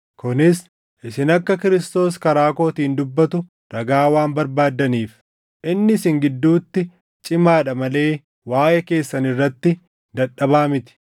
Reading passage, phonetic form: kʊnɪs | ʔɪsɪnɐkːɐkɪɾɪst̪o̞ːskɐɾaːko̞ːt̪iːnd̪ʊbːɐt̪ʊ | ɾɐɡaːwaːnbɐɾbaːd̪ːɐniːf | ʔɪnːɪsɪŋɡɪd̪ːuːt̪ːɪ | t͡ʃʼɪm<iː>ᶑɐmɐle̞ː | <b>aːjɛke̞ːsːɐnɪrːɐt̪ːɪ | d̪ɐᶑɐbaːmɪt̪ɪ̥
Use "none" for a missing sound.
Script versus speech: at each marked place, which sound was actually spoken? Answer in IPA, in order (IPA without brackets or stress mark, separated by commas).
aː, w